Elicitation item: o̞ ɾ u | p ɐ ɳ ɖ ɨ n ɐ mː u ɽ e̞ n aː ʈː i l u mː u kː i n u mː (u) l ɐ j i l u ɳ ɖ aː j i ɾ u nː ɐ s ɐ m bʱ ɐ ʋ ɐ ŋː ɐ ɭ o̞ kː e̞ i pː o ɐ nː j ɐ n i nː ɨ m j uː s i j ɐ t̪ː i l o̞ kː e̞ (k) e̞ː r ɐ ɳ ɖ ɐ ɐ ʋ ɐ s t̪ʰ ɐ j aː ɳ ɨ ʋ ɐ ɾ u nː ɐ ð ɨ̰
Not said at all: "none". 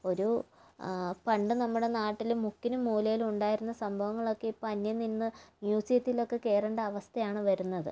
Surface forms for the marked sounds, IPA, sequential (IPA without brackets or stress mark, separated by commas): uː, k